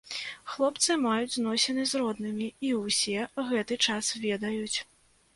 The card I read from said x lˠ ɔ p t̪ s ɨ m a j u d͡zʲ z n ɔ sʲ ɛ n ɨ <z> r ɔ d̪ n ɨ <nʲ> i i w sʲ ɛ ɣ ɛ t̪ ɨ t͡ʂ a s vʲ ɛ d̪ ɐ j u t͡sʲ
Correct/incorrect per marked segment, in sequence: correct, incorrect

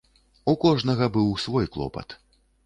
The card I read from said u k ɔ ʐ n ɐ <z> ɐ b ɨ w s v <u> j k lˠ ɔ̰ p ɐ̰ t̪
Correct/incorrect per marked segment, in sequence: incorrect, incorrect

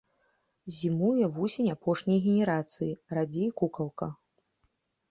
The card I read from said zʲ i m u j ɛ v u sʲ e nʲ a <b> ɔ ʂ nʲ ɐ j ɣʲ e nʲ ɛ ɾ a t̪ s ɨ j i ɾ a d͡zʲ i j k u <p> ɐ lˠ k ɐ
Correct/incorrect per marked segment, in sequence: incorrect, incorrect

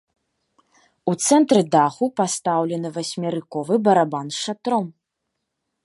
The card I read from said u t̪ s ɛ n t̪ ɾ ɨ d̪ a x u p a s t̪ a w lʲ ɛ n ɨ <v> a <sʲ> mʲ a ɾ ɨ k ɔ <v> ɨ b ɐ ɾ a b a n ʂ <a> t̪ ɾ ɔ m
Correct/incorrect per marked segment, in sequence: correct, correct, correct, correct

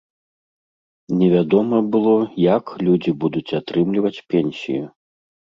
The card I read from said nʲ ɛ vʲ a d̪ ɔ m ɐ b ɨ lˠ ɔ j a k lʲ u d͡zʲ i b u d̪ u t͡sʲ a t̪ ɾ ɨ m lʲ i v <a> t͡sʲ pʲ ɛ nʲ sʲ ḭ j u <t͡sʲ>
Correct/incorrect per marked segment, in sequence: incorrect, incorrect

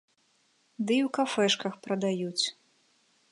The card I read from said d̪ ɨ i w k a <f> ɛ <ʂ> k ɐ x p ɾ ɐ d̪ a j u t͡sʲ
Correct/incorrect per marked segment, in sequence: correct, correct

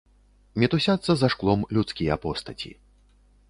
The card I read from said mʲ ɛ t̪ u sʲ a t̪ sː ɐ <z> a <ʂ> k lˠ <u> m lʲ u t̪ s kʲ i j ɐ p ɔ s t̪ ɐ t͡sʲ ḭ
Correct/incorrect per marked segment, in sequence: correct, correct, incorrect

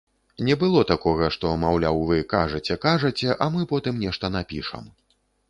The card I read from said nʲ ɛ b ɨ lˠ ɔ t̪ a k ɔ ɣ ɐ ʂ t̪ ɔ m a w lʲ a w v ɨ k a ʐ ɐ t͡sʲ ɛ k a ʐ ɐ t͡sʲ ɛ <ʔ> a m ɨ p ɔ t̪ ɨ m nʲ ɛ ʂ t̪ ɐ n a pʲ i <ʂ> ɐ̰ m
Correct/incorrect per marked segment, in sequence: correct, correct

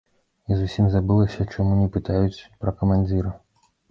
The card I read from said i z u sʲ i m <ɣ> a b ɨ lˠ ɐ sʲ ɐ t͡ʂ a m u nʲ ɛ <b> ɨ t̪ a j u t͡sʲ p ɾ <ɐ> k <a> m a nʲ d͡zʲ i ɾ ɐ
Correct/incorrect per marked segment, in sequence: incorrect, incorrect, correct, incorrect

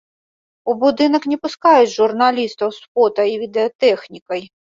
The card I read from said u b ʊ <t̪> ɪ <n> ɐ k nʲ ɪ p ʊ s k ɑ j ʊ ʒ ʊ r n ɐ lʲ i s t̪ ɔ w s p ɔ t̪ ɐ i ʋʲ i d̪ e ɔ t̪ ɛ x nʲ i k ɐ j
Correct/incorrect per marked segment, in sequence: incorrect, correct

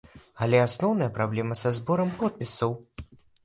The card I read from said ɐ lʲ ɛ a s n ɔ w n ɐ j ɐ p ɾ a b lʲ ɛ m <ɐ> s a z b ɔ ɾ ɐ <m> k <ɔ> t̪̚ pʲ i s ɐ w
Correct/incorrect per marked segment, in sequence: correct, correct, correct

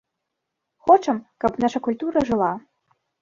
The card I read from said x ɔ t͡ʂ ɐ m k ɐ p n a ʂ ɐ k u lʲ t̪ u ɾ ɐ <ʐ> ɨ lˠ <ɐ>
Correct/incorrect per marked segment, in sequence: correct, incorrect

